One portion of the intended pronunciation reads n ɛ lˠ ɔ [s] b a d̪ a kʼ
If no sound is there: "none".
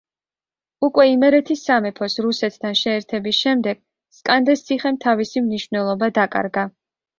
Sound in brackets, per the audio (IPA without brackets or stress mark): none